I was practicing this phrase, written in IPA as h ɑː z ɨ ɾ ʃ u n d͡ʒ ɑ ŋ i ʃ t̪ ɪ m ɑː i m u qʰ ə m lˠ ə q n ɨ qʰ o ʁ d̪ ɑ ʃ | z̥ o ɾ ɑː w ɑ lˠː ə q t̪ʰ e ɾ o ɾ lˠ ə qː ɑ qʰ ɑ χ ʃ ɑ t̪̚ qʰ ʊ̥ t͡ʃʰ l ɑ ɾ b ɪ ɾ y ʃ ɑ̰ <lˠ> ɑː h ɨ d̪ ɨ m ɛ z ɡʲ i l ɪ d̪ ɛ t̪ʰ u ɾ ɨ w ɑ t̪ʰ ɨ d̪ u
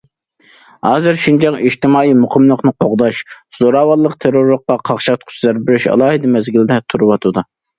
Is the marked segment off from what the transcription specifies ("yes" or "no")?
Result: no